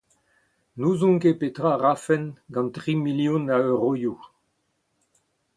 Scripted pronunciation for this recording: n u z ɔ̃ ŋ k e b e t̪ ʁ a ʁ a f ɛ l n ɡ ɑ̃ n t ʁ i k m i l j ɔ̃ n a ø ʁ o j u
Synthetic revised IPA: n u z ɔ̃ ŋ k e p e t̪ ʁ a ʁ a f ɛ n ɡ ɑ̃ n t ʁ i m i l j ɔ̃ n a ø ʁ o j u